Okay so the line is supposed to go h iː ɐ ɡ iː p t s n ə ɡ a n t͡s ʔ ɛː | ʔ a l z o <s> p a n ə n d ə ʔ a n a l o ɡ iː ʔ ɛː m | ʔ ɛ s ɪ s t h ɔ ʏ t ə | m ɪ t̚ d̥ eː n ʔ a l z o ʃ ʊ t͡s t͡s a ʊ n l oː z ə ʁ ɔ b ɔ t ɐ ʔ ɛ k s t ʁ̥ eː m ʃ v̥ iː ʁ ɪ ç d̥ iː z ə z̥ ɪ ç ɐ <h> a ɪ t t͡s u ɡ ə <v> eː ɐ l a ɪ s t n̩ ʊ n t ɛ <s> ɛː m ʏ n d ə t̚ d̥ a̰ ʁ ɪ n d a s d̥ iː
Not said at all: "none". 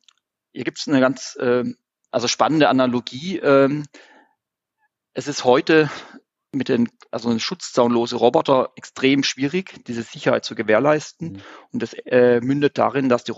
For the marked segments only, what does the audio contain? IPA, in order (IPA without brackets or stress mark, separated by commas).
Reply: ʃ, h, v, s